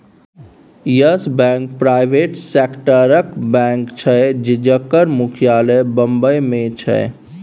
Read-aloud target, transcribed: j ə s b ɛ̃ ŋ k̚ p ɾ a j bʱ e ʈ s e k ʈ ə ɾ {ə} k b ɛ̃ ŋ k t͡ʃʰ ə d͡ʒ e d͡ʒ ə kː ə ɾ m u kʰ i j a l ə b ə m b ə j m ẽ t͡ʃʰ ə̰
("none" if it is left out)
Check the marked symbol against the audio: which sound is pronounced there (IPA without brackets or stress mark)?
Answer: ə